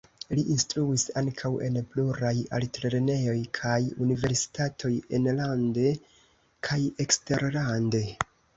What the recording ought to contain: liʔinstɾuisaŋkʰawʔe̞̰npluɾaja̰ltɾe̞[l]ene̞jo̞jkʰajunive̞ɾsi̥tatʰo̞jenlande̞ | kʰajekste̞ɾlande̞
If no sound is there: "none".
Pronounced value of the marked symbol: ɾ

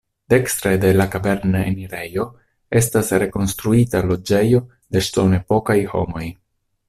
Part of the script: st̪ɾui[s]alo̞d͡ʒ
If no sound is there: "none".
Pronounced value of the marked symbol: t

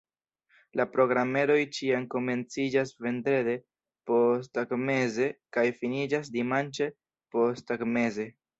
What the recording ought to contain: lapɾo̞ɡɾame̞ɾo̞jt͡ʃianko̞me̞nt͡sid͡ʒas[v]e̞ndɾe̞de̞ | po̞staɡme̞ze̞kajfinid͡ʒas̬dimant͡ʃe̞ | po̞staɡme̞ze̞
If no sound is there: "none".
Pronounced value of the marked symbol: v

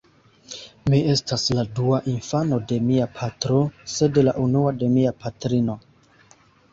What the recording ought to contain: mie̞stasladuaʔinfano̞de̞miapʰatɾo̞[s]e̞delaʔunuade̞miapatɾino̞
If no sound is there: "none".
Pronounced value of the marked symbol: s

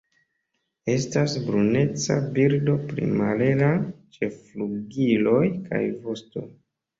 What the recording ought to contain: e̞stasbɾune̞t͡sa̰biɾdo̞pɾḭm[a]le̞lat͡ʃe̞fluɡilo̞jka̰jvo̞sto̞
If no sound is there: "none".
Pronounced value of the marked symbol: a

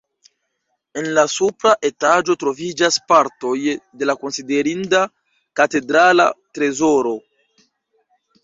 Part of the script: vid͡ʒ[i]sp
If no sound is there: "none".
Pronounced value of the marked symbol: a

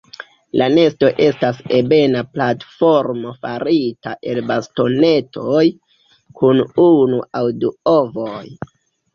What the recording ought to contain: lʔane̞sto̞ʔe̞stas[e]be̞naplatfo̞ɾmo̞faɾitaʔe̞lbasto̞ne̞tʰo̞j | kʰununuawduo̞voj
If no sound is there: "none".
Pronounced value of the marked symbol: e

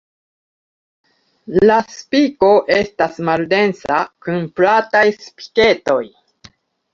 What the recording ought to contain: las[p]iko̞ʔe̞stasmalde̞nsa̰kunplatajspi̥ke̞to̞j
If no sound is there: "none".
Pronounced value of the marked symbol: p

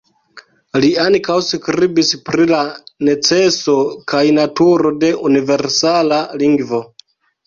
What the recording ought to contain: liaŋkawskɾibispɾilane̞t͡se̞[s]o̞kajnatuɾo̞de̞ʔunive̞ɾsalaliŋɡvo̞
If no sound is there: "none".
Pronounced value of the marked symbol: s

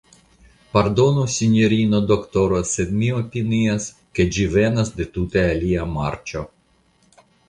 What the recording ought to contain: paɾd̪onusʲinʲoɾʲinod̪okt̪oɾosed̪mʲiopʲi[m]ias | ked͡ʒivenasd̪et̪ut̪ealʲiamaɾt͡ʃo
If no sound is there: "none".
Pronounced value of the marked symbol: n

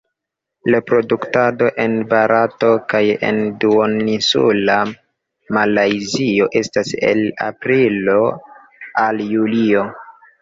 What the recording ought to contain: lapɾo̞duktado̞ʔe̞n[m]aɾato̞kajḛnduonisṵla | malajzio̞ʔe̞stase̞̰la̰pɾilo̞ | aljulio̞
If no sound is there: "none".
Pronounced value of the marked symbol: b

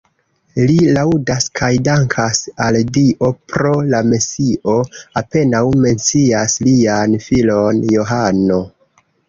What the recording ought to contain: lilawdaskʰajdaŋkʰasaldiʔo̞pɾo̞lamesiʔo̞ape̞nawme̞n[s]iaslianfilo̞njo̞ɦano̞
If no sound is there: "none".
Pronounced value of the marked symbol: t͡s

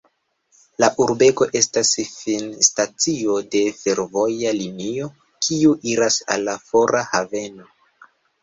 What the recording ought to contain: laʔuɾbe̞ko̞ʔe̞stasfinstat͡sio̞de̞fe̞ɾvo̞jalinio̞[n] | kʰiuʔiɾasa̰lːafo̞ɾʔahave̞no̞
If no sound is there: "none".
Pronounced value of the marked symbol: none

